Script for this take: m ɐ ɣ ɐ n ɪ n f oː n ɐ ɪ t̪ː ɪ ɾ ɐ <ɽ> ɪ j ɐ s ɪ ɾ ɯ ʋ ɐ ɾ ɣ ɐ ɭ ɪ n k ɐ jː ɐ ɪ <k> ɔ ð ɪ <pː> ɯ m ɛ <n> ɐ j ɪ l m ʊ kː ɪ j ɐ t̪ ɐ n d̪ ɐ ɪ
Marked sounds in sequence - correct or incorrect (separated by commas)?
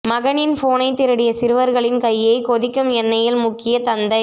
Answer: correct, correct, incorrect, incorrect